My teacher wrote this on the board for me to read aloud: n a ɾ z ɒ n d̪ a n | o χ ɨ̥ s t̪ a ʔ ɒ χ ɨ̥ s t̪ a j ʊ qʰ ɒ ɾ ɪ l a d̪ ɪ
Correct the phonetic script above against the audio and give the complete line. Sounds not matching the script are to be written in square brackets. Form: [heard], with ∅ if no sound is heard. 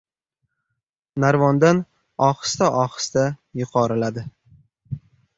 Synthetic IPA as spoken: n a ɾ [v] ɒ n d̪ a n | [ɒ] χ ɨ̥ s t̪ a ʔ ɒ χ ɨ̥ s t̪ a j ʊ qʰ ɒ ɾ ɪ l a d̪ ɪ